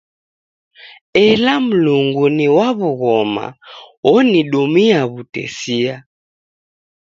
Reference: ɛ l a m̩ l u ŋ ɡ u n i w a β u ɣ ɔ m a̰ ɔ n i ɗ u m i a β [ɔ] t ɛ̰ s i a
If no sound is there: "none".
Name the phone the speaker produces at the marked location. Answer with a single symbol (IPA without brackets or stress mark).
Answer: u